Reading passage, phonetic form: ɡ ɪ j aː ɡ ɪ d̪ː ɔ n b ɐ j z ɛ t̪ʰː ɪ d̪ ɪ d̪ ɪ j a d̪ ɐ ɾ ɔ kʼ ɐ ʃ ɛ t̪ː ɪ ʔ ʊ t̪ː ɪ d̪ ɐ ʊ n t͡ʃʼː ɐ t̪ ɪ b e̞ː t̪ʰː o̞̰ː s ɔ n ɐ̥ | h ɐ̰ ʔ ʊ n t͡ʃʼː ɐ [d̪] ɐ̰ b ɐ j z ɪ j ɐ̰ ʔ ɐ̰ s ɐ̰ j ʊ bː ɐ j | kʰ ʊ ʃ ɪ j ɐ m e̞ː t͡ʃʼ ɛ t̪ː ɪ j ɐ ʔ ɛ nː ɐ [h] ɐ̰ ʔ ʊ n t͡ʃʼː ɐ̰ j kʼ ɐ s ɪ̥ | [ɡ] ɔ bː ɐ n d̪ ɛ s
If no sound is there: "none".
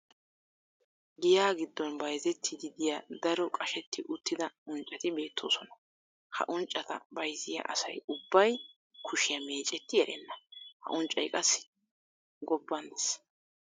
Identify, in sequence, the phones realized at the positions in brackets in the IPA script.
t̪, h, ɡ

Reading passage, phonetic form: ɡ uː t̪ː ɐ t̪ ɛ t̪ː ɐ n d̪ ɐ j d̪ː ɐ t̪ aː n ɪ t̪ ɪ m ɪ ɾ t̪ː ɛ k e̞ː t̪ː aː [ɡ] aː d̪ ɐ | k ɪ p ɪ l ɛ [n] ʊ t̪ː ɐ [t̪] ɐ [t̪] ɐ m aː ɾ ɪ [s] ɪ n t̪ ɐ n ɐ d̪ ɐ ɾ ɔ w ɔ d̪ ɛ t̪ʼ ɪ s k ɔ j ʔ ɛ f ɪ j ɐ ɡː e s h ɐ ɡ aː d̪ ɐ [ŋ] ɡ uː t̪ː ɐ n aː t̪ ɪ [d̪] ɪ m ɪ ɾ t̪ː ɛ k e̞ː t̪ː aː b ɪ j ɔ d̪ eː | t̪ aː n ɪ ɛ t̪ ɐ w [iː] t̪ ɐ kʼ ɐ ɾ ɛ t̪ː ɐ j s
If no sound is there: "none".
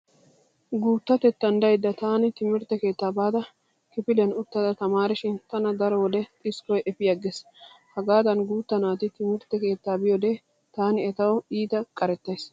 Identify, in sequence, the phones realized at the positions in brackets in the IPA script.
b, n, d̪, t̪, ʃ, n, t̪, iː

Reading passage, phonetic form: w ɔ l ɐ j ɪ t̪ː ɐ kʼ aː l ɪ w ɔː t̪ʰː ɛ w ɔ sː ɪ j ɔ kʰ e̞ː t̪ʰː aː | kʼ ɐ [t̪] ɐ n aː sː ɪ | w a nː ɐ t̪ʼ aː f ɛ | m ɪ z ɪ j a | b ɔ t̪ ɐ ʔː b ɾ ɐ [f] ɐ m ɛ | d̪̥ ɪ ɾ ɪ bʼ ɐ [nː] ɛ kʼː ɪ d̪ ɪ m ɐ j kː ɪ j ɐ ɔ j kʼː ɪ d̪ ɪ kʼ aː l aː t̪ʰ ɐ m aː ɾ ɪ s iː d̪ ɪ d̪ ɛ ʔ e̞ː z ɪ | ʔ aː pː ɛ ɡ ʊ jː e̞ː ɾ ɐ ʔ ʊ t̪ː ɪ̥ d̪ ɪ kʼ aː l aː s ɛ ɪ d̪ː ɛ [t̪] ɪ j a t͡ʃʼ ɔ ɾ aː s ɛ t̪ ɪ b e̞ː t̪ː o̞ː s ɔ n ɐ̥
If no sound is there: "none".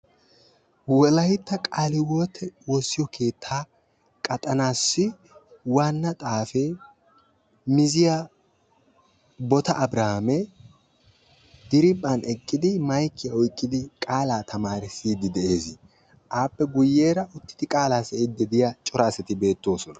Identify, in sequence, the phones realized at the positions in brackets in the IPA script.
t̪ʼ, h, n, d̪

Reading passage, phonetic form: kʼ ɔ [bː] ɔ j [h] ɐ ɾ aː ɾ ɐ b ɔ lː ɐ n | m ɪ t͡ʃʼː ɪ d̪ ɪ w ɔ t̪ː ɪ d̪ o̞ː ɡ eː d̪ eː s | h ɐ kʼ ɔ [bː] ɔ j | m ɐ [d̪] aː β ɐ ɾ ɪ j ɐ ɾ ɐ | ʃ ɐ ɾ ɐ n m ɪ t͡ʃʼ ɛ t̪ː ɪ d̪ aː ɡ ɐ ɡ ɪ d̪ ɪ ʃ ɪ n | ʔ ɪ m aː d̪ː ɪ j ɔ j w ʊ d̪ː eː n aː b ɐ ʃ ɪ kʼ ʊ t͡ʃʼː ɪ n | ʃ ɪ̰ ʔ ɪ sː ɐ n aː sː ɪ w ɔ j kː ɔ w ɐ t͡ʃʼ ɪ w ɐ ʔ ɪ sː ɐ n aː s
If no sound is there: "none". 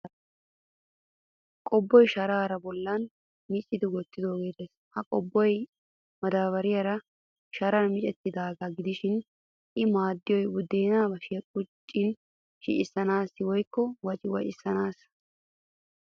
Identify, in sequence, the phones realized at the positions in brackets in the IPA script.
bː, ʃ, bː, d̪

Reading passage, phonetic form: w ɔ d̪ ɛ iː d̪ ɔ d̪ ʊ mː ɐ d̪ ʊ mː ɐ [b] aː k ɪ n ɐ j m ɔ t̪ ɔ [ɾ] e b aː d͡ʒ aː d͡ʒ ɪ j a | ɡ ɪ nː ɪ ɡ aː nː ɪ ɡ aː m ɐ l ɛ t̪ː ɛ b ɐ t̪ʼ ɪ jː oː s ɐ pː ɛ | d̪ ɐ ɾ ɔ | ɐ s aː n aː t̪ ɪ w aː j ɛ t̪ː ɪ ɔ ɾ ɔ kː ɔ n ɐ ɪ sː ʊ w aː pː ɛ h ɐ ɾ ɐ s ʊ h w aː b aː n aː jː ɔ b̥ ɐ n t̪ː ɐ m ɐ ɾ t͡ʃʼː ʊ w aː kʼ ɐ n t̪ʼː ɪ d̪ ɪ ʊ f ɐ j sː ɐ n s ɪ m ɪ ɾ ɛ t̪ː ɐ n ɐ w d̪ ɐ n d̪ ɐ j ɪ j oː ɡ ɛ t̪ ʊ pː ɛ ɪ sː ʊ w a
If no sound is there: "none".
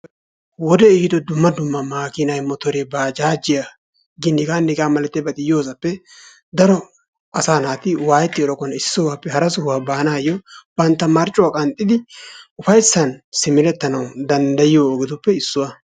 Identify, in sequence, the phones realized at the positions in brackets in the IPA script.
m, ɾ

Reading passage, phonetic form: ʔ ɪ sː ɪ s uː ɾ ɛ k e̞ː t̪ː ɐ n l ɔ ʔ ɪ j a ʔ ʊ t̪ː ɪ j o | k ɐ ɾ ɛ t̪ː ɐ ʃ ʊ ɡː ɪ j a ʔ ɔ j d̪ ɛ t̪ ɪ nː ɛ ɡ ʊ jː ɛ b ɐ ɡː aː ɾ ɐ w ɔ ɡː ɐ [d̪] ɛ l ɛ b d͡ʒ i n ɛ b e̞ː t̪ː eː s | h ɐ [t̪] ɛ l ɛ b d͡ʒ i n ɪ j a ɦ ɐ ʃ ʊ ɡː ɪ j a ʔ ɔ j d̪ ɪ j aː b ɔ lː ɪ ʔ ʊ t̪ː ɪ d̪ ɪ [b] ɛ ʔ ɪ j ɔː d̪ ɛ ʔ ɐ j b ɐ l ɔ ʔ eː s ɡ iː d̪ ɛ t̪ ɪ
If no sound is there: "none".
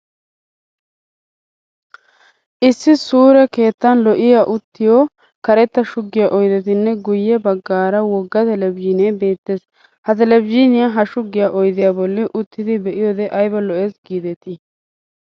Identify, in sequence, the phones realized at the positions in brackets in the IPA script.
t̪, t̪, b

